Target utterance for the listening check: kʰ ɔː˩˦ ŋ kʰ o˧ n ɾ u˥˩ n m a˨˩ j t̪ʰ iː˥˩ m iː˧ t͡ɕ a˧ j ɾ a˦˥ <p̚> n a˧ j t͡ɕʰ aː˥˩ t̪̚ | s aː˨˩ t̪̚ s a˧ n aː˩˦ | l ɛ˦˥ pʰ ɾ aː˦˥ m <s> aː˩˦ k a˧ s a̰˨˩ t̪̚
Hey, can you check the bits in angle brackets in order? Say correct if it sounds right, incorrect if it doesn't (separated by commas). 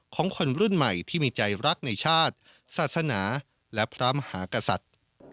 incorrect, incorrect